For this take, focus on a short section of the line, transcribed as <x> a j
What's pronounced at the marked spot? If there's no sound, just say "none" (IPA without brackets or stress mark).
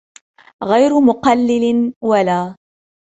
ɣ